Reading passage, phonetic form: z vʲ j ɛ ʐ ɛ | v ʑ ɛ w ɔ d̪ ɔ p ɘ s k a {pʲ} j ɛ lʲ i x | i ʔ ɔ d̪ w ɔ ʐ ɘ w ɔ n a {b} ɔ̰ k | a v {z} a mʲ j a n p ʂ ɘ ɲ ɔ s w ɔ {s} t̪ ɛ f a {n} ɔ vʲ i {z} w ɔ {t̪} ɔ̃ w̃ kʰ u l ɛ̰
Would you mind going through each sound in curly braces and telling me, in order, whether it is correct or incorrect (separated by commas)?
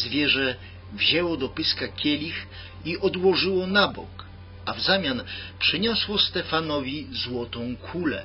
incorrect, correct, correct, correct, correct, correct, correct